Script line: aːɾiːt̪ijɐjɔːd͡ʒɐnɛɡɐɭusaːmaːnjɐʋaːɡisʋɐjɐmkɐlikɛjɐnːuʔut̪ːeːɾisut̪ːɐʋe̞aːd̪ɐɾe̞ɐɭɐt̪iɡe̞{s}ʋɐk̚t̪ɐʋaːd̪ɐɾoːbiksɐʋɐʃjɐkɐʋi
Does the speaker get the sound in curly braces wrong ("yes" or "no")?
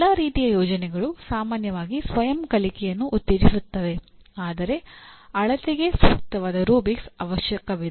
no